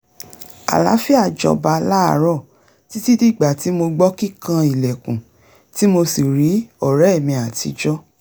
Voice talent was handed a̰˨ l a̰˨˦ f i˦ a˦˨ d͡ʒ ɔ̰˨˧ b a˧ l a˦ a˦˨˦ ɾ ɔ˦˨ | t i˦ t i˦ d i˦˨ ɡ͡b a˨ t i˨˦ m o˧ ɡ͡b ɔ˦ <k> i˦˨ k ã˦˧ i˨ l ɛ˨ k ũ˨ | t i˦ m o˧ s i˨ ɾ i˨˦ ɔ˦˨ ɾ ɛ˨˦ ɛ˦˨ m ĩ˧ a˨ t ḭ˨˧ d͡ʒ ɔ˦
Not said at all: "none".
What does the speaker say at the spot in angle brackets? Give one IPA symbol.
k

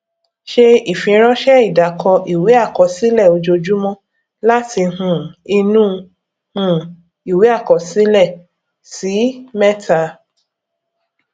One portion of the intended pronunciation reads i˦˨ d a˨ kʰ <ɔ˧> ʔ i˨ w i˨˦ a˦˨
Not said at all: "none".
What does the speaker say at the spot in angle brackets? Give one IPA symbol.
ɔ˧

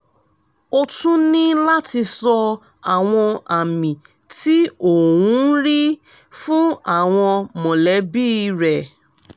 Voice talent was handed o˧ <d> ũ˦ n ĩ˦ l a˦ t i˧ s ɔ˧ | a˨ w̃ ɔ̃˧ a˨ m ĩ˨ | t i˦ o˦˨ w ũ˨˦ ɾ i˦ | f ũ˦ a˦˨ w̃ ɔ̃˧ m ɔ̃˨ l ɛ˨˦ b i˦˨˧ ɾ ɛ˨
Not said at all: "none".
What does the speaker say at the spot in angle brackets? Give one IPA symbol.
t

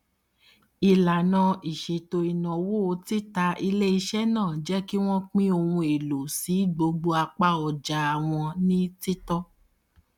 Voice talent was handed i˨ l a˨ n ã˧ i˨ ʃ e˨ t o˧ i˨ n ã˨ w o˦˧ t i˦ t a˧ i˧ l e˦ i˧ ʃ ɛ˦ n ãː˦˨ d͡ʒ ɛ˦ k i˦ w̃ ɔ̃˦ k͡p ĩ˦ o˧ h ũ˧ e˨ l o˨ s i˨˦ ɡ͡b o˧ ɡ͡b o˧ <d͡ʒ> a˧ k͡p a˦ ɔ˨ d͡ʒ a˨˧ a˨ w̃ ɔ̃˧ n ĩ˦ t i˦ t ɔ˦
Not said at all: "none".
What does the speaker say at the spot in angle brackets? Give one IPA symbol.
none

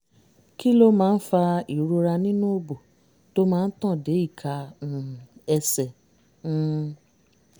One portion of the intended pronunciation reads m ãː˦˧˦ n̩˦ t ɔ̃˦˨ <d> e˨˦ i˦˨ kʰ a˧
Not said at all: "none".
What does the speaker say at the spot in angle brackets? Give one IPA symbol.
d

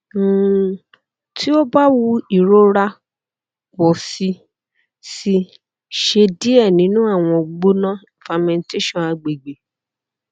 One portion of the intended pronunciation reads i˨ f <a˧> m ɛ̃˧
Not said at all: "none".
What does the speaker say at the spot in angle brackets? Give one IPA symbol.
a˧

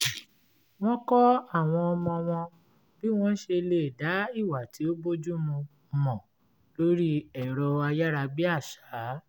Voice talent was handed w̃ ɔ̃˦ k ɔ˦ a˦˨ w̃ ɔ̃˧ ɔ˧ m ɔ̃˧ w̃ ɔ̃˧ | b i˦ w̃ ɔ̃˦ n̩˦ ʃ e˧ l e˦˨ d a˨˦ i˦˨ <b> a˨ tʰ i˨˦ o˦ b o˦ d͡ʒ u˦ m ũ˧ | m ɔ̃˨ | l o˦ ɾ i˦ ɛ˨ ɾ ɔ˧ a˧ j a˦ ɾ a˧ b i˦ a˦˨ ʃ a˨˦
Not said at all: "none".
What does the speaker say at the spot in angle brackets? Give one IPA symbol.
w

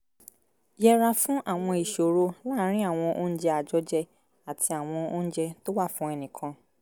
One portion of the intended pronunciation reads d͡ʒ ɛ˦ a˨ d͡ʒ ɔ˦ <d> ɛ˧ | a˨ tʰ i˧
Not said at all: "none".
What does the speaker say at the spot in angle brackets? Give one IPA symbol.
d͡ʒ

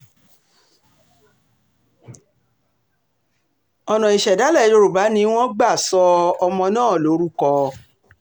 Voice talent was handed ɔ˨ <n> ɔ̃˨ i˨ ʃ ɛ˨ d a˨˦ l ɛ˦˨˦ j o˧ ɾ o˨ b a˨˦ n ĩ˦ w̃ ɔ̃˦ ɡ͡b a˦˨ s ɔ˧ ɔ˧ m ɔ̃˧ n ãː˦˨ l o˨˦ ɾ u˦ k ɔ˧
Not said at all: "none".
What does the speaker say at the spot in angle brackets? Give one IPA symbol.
n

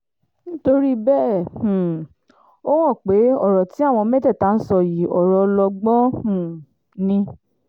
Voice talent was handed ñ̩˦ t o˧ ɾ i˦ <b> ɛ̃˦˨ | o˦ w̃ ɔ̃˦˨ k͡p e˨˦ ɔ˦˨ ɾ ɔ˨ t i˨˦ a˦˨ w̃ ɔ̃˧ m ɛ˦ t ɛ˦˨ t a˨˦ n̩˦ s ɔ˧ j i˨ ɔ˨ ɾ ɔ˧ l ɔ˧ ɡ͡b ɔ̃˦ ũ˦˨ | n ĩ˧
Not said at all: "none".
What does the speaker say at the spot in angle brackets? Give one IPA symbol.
b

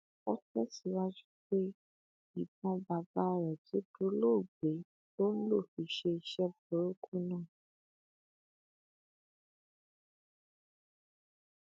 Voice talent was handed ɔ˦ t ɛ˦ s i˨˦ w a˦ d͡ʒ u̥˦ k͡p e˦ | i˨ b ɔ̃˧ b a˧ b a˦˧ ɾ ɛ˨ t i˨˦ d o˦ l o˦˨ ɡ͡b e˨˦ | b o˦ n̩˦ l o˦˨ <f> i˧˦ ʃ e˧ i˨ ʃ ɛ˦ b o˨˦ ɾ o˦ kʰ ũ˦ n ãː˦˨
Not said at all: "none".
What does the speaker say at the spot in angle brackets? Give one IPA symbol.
f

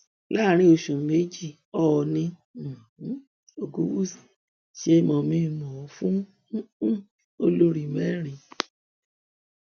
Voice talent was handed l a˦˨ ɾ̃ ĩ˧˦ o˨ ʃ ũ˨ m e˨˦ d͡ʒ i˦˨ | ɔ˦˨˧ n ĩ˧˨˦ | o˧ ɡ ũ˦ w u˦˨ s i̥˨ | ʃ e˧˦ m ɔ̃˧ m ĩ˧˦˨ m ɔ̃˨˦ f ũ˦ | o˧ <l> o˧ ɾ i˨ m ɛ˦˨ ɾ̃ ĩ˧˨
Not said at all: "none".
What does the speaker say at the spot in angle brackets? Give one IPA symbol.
l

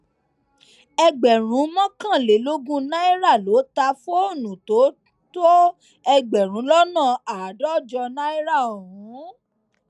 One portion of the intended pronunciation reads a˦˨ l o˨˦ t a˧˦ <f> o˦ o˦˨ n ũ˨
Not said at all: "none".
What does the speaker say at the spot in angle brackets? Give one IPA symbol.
f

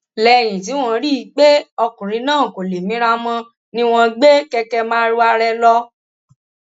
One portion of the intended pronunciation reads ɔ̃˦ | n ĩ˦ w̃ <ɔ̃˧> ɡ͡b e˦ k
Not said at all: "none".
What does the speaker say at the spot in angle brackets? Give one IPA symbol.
ɔ̃˧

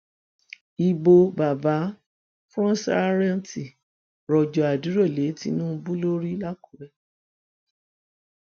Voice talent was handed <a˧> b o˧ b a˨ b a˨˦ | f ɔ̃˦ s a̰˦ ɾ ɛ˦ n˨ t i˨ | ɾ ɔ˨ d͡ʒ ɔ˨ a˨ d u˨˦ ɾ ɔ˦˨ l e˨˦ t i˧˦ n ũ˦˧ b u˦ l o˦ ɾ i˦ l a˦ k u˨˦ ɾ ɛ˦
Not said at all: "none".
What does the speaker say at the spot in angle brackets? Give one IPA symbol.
i˧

